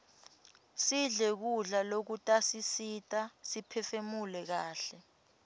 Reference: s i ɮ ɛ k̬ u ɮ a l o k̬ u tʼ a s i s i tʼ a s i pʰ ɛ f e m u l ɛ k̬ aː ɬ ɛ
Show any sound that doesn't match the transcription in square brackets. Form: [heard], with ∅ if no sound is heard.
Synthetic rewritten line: s i ɮ ɛ k̬ u ɮ a l o k̬ u tʼ a s i s i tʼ a s i pʰ ɛ f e m u l ɛ k̬ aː ɬ ɛ